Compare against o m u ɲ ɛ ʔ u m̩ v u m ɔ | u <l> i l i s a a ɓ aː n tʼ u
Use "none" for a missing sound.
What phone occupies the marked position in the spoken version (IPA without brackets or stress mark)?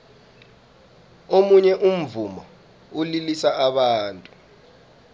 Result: l